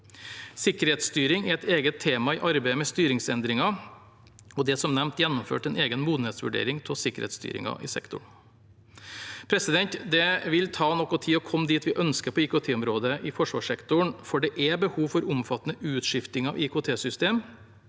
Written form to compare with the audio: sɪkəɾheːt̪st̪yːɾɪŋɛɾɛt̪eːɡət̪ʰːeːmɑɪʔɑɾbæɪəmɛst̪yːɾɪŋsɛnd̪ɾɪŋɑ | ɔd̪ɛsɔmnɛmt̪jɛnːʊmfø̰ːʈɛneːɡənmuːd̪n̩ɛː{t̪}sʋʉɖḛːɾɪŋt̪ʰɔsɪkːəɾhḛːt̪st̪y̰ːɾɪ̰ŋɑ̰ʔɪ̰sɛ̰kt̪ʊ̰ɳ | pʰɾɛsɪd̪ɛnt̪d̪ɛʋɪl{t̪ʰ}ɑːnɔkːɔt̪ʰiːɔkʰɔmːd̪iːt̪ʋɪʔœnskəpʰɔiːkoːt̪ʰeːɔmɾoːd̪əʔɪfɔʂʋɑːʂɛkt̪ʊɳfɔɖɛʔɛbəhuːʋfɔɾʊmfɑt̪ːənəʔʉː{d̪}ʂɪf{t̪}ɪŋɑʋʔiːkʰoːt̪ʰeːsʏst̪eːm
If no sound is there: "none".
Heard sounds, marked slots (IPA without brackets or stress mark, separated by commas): t̪, t̪ʰ, t̪, t̪